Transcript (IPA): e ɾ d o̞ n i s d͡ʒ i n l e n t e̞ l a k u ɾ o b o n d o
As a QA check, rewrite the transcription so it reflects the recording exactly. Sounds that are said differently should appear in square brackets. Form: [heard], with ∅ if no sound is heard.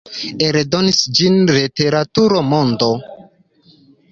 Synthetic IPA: e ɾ d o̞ n i s d͡ʒ i n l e [∅] t e̞ [ɾ] a [t] u ɾ o [m] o n d o